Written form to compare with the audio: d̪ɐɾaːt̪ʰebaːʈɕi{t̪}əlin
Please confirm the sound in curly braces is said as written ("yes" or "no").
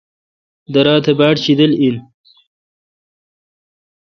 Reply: no